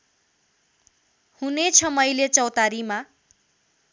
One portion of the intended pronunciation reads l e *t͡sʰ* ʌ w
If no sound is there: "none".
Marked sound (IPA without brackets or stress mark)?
t͡s